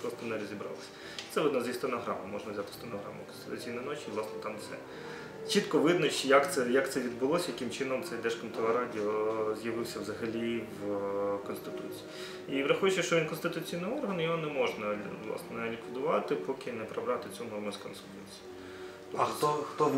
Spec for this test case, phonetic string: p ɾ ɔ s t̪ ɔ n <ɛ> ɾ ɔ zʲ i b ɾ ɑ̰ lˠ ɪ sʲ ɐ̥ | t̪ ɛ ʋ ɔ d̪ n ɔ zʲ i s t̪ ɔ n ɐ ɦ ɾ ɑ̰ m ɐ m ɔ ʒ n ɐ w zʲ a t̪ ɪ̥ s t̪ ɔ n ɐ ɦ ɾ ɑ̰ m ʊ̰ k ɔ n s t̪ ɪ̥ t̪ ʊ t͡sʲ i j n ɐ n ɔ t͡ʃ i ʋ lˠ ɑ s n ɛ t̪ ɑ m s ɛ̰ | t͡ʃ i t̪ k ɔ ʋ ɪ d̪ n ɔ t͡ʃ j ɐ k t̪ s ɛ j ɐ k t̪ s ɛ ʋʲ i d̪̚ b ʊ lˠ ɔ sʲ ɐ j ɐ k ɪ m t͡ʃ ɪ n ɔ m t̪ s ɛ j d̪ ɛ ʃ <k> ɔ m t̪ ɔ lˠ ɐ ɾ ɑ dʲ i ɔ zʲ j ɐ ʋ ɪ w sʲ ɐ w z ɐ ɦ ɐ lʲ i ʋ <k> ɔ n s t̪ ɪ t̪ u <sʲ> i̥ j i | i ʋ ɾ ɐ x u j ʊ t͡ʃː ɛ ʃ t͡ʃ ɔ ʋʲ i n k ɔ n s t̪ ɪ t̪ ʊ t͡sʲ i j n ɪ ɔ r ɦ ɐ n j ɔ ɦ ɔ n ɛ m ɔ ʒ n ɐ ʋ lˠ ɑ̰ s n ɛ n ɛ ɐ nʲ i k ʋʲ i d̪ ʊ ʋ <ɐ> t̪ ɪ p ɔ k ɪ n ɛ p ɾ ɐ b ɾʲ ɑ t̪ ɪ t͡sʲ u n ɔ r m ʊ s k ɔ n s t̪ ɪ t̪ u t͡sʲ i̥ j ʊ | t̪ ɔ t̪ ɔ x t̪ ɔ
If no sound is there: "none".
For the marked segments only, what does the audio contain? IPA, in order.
ɛ, k, k, t͡sʲ, ɑ

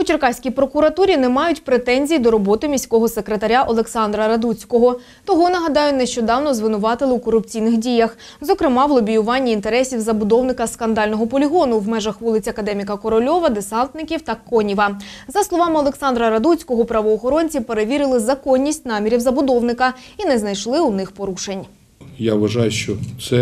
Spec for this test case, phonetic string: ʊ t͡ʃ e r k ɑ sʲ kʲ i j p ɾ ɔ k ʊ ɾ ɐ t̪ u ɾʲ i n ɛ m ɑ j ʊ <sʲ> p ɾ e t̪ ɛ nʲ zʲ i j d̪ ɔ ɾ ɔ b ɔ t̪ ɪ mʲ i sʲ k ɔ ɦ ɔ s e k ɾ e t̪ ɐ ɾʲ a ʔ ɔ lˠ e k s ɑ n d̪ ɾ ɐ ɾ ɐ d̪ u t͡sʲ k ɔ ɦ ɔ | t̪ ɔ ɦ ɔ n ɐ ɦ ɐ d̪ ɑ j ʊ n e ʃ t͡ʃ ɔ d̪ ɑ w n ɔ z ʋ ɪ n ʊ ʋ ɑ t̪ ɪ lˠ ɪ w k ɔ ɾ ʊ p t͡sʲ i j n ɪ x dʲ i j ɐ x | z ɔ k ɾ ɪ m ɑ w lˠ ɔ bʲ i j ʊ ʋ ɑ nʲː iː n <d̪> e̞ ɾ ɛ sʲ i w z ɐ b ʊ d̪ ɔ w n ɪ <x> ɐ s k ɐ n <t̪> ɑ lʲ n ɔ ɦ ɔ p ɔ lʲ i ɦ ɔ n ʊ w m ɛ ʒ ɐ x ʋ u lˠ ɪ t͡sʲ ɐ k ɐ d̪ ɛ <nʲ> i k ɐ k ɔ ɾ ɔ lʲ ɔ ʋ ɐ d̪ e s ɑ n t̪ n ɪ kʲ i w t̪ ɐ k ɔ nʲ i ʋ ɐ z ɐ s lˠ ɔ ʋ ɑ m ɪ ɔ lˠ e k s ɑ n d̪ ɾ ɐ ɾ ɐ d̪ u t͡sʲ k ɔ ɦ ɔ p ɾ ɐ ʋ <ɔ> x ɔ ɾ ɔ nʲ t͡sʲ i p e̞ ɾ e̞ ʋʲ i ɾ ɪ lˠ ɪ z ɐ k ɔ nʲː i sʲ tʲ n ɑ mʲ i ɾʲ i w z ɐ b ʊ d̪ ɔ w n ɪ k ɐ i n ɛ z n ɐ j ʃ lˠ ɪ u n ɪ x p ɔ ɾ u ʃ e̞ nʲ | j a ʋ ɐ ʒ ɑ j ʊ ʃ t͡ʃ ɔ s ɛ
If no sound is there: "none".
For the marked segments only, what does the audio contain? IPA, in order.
tʲ, t̪, k, d̪, mʲ, ɔː

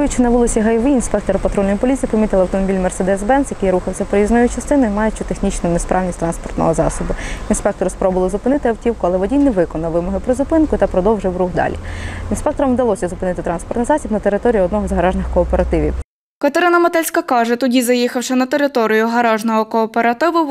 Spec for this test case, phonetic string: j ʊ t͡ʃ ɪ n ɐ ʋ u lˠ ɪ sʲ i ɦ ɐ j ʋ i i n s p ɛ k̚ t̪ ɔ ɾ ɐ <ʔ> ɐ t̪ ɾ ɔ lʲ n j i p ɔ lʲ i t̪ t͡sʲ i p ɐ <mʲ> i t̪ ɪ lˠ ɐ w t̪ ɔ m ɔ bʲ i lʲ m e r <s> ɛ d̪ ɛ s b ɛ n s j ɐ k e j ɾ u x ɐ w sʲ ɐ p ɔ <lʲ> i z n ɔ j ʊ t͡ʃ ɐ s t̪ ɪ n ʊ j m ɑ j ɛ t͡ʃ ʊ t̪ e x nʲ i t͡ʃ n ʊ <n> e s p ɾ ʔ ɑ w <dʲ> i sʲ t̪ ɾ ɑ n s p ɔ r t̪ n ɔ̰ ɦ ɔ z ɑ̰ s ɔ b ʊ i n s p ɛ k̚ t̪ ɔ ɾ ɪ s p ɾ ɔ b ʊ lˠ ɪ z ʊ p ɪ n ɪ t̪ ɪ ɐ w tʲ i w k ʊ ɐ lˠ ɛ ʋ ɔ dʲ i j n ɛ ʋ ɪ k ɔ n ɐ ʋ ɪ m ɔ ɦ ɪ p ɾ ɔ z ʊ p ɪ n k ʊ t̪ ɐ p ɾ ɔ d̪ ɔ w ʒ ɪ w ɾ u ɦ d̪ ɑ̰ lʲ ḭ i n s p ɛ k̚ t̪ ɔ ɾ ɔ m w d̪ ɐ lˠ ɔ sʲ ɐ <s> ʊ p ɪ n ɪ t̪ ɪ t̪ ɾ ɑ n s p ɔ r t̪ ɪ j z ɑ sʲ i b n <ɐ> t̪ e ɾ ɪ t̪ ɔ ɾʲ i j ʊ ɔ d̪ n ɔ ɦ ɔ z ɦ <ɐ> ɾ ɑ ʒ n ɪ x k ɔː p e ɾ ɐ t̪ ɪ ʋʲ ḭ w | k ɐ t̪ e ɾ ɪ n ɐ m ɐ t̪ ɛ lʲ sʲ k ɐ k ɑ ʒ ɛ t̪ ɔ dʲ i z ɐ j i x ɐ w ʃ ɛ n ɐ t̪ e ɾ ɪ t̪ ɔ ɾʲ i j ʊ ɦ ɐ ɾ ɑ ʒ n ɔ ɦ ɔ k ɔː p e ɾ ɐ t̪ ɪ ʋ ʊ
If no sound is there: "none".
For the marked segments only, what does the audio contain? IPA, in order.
p, mʲ, s, ɾʲ, n, nʲ, z, ɐ, ɐ

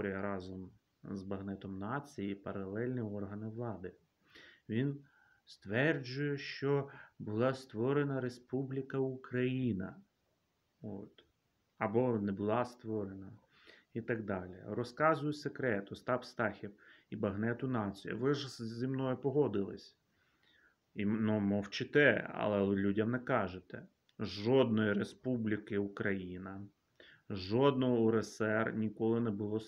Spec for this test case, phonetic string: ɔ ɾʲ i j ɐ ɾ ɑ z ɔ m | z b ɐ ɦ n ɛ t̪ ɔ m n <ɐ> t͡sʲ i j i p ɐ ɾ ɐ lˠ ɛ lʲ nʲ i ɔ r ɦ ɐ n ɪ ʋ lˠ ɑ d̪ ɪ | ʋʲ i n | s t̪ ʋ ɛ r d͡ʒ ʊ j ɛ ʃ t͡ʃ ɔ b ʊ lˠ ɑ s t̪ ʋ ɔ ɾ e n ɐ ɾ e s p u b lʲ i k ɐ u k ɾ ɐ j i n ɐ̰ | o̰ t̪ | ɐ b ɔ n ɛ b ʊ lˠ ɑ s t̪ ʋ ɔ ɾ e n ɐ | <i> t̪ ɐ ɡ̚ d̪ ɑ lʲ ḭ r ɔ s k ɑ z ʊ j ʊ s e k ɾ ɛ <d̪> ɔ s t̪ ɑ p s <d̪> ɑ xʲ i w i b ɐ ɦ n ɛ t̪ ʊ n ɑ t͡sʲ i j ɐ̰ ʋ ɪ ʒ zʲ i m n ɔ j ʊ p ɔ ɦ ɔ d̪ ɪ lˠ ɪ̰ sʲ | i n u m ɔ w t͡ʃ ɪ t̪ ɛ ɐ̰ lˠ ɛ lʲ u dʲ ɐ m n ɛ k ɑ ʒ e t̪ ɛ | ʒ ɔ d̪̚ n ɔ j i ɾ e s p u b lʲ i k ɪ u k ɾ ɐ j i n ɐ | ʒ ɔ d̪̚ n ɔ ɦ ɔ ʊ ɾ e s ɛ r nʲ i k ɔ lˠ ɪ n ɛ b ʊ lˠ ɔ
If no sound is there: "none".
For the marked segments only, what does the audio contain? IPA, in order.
ɑ, i, t̪, t̪

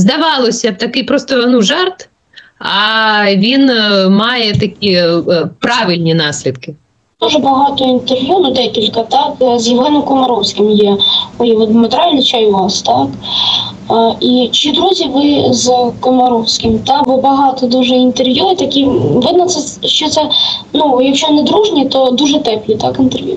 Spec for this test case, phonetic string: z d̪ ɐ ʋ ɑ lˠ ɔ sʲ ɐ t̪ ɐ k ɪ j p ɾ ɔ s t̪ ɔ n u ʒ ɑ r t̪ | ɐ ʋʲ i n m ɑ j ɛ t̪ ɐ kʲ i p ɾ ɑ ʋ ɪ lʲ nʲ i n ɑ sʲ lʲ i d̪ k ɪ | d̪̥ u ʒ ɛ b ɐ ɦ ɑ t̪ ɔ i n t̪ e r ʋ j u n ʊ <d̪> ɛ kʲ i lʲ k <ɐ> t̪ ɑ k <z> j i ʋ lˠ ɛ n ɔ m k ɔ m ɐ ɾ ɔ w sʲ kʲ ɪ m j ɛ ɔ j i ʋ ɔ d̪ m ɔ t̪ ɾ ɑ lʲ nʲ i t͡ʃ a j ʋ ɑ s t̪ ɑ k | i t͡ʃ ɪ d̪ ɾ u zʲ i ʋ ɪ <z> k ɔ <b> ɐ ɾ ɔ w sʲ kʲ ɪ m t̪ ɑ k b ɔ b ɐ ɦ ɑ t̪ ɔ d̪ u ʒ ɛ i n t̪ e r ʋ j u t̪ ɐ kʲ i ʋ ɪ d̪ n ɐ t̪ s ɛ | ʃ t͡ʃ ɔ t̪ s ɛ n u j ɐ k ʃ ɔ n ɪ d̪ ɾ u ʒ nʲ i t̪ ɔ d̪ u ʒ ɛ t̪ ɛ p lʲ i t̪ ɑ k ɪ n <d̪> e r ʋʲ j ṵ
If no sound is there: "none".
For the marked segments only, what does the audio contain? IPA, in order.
d̪, ɐ, z, z, m, t̪

